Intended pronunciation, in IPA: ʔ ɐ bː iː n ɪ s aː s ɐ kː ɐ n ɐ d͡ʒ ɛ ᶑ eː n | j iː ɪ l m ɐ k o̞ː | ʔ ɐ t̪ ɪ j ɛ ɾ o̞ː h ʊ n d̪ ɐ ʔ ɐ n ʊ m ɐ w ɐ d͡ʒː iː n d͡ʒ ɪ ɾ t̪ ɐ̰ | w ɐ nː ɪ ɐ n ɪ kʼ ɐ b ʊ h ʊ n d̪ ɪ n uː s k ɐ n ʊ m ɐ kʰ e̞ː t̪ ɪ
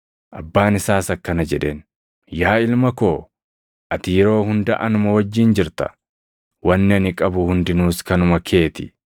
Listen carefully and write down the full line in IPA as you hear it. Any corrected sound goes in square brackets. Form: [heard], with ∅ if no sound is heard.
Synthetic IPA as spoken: ʔ ɐ bː [aː] n ɪ s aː s ɐ kː ɐ n ɐ d͡ʒ ɛ ᶑ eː n | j [aː] ɪ l m ɐ k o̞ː | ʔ ɐ t̪ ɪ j ɛ ɾ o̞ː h ʊ n d̪ ɐ ʔ ɐ n ʊ m ɐ w ɐ d͡ʒː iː n d͡ʒ ɪ ɾ t̪ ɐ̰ | w ɐ nː ɪ ɐ n ɪ kʼ ɐ b ʊ h ʊ n d̪ ɪ n uː s k ɐ n ʊ m ɐ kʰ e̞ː t̪ ɪ

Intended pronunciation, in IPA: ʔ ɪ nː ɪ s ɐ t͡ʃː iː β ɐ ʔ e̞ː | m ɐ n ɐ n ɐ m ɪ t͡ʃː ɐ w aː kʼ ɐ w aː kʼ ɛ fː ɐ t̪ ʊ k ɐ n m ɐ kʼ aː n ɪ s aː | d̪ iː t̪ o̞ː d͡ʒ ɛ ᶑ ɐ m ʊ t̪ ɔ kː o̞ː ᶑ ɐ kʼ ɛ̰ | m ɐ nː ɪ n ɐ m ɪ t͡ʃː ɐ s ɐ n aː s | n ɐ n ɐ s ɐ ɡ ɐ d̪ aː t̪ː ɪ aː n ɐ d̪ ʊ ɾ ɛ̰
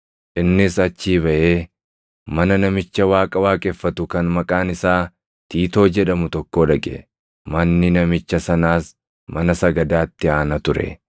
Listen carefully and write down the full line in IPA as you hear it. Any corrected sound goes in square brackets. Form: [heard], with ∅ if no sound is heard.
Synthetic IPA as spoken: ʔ ɪ nː ɪ s ɐ t͡ʃː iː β ɐ ʔ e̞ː | m ɐ n ɐ n ɐ m ɪ t͡ʃː ɐ w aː kʼ ɐ w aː kʼ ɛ fː ɐ t̪ ʊ k ɐ n m ɐ kʼ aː n ɪ s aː | [t̪] iː t̪ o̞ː d͡ʒ ɛ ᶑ ɐ m ʊ t̪ ɔ kː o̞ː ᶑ ɐ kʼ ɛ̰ | m ɐ nː ɪ n ɐ m ɪ t͡ʃː ɐ s ɐ n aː s | [m] ɐ n ɐ s ɐ ɡ ɐ d̪ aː t̪ː ɪ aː n ɐ [t̪] ʊ ɾ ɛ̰

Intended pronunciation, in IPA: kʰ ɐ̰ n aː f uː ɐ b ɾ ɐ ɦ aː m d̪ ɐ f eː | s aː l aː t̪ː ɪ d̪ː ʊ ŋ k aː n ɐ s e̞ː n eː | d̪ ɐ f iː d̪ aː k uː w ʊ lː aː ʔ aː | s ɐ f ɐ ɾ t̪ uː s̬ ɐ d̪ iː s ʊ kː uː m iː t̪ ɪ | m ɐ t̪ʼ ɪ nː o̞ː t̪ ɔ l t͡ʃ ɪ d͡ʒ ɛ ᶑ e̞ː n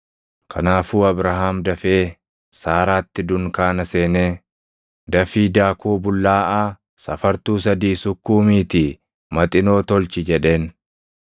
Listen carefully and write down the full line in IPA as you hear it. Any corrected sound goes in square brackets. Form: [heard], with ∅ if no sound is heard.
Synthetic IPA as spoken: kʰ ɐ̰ n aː f uː ɐ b ɾ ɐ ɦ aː m d̪ ɐ f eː | s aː [ɾ] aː t̪ː ɪ [d̪] ʊ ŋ k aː n ɐ s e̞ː n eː | d̪ ɐ f iː d̪ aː k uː [b] ʊ lː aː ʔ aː | s ɐ f ɐ ɾ t̪ uː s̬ ɐ d̪ iː s ʊ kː uː m iː t̪ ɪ | m ɐ t̪ʼ ɪ [n] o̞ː t̪ ɔ l t͡ʃ ɪ d͡ʒ ɛ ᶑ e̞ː n

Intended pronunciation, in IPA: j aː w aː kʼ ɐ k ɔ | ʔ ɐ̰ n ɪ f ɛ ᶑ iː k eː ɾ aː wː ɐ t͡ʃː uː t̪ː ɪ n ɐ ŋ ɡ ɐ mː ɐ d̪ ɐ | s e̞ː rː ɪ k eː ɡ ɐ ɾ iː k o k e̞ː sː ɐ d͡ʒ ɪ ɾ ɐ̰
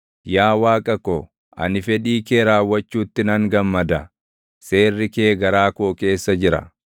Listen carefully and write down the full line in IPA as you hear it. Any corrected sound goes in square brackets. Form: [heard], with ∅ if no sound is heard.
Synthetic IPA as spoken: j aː w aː kʼ ɐ k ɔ | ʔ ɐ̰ n ɪ f ɛ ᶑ iː k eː ɾ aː wː ɐ t͡ʃː uː t̪ː ɪ n ɐ ŋ ɡ ɐ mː ɐ d̪ ɐ | s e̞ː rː ɪ k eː ɡ ɐ ɾ [aː] k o k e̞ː sː ɐ d͡ʒ ɪ ɾ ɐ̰

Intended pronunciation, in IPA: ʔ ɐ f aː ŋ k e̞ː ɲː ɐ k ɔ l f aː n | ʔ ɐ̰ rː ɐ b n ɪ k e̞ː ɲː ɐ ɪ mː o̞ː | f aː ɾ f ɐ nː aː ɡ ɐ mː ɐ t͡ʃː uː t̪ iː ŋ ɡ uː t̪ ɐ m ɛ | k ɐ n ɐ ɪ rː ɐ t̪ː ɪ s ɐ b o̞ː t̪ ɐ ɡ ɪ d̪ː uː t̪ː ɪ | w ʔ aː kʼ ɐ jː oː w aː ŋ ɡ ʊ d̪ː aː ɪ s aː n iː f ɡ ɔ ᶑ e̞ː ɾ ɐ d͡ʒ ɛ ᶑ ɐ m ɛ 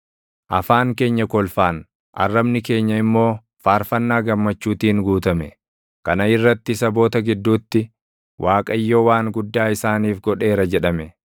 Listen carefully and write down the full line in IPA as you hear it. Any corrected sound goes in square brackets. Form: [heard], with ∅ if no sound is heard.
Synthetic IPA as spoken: ʔ ɐ f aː ŋ k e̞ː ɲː ɐ k ɔ l f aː n | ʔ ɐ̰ rː ɐ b n ɪ k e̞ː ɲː ɐ ɪ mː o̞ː | f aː ɾ f ɐ nː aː ɡ ɐ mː ɐ t͡ʃː uː t̪ iː ŋ ɡ uː t̪ ɐ m ɛ | k ɐ n ɐ ɪ rː ɐ t̪ː ɪ s ɐ b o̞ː t̪ ɐ ɡ ɪ d̪ː uː t̪ː ɪ | w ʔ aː kʼ ɐ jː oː w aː ŋ ɡ ʊ d̪ː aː ɪ s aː n iː f ɡ ɔ ᶑ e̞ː ɾ ɐ d͡ʒ ɛ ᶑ ɐ m ɛ

